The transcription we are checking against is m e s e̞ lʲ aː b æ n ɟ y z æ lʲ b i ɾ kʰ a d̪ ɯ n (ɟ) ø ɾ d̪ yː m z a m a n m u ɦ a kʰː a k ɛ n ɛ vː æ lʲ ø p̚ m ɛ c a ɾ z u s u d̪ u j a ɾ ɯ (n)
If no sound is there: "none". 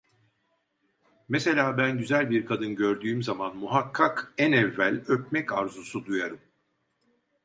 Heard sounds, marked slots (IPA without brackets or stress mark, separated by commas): ɟ, m